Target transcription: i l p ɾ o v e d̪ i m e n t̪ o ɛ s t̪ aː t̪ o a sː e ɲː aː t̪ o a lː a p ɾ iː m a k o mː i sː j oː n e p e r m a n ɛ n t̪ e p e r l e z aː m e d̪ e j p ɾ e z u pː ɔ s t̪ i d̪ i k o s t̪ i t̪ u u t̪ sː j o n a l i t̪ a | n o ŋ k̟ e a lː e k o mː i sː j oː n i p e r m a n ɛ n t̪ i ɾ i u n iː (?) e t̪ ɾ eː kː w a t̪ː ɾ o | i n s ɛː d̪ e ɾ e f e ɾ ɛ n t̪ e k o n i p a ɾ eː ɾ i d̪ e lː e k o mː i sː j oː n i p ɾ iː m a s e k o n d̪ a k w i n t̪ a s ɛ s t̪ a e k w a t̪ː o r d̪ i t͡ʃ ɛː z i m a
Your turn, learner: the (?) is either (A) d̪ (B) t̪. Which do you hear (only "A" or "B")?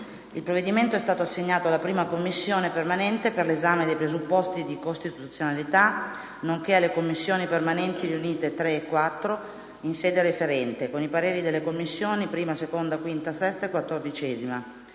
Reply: B